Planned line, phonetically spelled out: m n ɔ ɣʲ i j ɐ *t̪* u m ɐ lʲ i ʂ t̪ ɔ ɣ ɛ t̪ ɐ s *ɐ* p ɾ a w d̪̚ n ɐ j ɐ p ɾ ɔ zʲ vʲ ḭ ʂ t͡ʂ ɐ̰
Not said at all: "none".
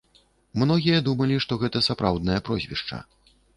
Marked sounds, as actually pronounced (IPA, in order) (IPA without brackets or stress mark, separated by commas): d̪, a